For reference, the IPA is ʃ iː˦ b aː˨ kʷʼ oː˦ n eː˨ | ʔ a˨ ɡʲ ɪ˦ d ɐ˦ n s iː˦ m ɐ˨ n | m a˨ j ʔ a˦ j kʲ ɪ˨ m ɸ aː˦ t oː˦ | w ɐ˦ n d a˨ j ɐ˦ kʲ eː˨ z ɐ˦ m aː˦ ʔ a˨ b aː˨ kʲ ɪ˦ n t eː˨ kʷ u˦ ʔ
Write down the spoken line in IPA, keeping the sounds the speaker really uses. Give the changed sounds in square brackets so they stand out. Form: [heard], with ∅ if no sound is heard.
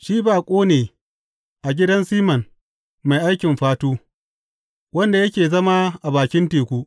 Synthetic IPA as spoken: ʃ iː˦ b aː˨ kʷʼ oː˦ n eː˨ | ʔ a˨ ɡʲ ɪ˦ d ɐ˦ n s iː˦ m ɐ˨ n | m a˨ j ʔ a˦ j kʲ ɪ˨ m ɸ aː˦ t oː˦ | w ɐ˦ n d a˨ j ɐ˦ kʲ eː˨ z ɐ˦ m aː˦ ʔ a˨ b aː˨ kʲ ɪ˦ n t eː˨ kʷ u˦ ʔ

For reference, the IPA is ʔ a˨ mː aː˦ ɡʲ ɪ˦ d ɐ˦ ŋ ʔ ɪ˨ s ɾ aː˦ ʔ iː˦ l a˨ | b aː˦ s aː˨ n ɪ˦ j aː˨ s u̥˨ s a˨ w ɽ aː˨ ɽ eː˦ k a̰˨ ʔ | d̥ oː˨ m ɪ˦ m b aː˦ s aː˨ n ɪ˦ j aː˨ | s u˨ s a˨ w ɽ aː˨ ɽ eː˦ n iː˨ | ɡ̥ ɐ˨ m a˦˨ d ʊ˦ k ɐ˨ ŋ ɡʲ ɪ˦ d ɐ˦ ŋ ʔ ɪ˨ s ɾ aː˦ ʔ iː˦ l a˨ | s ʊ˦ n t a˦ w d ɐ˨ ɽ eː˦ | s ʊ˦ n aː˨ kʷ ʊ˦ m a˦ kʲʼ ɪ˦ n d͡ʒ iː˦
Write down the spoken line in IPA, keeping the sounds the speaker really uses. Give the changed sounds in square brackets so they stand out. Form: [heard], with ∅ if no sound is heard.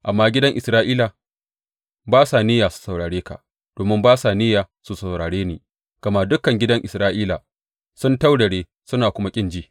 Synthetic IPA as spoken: ʔ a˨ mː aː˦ ɡʲ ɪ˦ d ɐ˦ ŋ ʔ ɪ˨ s ɾ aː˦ ʔ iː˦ l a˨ | b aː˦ s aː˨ n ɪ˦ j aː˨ s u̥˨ s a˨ w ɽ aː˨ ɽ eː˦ k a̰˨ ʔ | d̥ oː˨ m ɪ˦ m b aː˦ s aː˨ n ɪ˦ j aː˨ | s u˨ s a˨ w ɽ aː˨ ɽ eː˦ n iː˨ | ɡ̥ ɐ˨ m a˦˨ d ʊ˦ k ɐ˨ ŋ ɡʲ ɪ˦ d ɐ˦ ŋ ʔ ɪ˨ s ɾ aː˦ ʔ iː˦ l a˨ | s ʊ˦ n t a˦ w d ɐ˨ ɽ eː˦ | s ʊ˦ n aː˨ kʷ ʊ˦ m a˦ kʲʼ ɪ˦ n d͡ʒ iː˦

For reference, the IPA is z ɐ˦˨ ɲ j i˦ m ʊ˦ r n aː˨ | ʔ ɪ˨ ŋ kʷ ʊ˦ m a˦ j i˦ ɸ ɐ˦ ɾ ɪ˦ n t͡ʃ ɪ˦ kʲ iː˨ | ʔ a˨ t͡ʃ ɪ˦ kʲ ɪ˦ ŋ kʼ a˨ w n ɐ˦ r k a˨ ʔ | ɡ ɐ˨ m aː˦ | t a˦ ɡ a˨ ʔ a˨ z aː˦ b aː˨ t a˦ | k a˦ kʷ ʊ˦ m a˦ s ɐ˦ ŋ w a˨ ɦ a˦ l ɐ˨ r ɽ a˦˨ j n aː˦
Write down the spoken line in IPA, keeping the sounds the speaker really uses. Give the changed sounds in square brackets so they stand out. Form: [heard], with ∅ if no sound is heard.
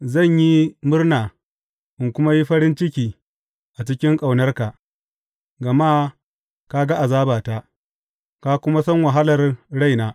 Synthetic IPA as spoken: z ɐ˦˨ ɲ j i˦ m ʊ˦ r n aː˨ | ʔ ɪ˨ ŋ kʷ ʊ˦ m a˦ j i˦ ɸ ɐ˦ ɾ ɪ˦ n t͡ʃ ɪ˦ kʲ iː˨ | ʔ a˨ t͡ʃ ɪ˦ kʲ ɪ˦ ŋ kʼ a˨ w n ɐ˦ r k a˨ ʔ | ɡ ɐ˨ m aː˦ | [k] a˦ ɡ [a˦] ʔ a˨ z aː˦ b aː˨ t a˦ | k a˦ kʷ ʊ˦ m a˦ s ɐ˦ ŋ w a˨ ɦ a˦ l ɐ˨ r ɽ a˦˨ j n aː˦

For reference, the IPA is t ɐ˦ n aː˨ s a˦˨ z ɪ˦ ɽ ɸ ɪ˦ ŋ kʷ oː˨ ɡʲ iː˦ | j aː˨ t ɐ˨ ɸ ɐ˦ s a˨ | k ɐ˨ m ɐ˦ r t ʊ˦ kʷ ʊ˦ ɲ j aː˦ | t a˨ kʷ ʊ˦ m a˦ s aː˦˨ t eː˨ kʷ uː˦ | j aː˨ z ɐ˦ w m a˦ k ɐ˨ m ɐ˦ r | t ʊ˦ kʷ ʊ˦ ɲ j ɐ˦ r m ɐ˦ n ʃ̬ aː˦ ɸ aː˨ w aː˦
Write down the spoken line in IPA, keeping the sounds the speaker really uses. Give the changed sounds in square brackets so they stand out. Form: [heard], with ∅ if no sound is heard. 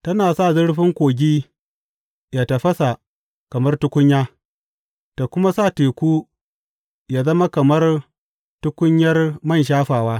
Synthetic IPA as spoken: t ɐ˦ n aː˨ s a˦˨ z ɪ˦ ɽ ɸ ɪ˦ ŋ kʷ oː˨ ɡʲ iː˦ | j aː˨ t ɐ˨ ɸ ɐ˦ s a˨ | k ɐ˨ m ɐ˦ r t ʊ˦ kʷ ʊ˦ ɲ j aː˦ | t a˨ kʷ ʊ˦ m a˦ s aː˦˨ t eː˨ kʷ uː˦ | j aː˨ z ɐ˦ [∅] m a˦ k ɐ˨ m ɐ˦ r | t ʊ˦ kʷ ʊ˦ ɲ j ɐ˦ r m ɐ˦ n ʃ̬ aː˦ ɸ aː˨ w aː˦

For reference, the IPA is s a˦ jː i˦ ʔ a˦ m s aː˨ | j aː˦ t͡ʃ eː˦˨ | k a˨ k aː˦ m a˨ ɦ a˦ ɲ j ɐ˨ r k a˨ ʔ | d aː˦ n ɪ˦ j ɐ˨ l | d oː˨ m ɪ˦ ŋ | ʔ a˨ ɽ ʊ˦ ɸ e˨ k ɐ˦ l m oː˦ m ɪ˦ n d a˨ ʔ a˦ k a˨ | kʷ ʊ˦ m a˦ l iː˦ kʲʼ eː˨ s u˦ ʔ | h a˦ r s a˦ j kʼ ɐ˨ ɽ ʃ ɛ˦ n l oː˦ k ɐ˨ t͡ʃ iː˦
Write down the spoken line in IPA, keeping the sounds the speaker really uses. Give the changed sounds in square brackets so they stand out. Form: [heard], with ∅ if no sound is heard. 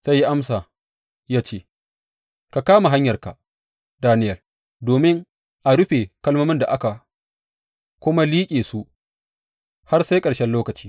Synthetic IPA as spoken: s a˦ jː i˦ ʔ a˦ m s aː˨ | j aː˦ t͡ʃ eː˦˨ | k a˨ k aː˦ m a˨ ɦ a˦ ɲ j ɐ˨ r k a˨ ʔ | d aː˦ n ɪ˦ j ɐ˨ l | d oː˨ m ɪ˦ ŋ | ʔ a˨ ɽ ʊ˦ ɸ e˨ k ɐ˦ l m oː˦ m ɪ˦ n d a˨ ʔ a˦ k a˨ | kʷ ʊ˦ m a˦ l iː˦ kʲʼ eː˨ s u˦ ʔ | h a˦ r s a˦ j kʼ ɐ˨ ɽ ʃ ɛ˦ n l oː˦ k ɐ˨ t͡ʃ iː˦

